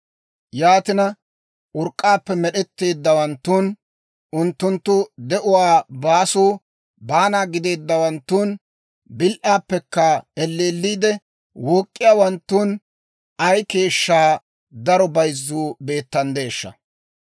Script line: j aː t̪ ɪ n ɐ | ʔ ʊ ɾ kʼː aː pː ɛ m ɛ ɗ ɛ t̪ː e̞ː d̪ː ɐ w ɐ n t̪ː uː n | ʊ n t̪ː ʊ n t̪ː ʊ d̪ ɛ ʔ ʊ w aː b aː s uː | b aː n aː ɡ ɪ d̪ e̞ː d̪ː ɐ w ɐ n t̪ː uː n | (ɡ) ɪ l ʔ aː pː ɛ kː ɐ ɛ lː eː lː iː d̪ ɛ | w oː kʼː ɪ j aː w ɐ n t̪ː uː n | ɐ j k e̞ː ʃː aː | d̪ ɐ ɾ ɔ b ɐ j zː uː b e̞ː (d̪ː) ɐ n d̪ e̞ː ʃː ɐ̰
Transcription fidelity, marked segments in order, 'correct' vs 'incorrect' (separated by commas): incorrect, incorrect